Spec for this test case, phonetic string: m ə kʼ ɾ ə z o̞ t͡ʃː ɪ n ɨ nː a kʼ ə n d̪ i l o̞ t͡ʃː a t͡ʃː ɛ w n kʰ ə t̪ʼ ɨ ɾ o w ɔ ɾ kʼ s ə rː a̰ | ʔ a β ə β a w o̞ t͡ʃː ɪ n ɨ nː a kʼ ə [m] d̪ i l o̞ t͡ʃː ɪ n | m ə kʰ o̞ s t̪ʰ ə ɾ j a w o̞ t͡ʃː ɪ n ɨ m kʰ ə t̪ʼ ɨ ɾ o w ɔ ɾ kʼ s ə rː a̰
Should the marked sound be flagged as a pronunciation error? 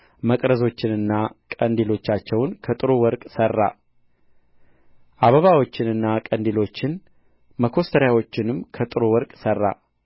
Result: yes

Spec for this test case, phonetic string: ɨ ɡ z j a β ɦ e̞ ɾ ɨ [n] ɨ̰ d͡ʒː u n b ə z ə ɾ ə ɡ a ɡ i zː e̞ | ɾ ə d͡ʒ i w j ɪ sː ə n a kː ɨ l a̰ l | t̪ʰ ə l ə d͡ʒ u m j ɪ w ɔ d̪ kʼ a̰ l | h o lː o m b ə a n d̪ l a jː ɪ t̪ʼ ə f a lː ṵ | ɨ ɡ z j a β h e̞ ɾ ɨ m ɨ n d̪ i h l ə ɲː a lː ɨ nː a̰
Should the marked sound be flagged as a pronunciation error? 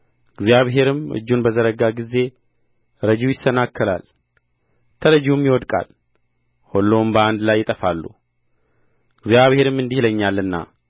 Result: yes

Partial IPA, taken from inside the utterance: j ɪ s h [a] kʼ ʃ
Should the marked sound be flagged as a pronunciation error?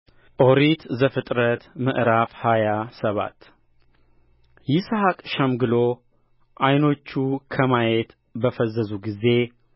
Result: no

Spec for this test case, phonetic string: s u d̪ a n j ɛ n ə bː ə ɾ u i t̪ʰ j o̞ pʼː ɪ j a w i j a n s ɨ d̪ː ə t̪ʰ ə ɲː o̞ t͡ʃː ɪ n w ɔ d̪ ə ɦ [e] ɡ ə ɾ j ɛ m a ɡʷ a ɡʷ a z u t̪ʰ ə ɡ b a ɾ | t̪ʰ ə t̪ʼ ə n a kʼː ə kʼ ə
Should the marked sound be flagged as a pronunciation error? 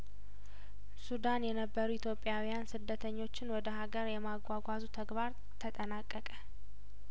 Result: yes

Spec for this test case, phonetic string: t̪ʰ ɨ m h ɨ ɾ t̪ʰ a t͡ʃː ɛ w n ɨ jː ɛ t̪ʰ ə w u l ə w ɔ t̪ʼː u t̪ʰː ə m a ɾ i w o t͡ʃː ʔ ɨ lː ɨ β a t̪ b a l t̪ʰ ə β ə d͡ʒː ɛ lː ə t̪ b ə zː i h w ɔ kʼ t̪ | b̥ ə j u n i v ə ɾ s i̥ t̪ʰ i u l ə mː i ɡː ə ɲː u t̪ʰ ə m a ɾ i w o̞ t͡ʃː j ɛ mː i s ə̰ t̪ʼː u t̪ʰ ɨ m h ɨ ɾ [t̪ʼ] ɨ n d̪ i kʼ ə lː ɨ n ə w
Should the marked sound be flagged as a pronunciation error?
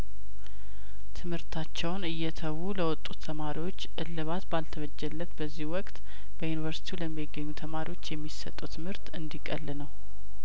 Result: yes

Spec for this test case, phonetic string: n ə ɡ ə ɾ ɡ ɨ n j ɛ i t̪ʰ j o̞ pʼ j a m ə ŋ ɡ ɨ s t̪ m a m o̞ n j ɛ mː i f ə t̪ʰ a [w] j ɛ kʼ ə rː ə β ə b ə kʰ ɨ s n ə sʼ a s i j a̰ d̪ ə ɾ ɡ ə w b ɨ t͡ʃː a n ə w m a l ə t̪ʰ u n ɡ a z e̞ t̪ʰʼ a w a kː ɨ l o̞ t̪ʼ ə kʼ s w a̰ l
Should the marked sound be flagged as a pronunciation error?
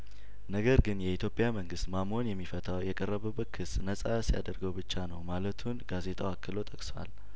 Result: no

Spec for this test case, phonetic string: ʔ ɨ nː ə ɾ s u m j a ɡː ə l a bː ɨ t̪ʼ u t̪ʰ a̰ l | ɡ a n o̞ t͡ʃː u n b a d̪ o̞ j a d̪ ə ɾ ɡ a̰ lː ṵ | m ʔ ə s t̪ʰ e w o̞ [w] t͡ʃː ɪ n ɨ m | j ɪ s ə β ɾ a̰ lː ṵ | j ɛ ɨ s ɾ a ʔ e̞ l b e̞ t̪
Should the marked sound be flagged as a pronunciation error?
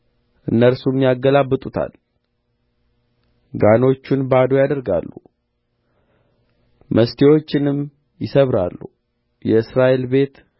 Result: yes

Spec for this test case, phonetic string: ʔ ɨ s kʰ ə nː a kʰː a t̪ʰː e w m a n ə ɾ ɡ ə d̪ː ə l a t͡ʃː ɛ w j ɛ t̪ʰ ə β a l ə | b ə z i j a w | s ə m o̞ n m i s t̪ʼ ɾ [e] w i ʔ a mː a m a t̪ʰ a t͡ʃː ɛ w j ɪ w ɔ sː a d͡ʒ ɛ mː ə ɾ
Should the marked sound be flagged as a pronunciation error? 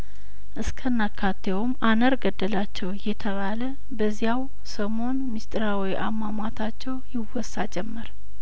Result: yes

